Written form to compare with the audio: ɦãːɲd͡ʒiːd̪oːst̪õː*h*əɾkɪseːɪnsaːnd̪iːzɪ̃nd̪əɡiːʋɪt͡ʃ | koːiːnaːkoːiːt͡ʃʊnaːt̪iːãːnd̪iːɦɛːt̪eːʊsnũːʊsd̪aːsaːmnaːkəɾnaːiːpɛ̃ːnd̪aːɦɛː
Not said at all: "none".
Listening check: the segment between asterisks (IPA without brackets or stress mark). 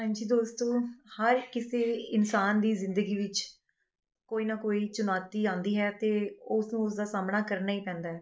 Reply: h